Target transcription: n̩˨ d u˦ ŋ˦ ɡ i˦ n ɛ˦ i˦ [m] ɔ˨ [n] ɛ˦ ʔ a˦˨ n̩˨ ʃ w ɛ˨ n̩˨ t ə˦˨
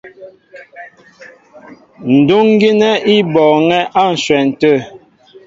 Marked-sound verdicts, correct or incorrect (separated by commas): incorrect, incorrect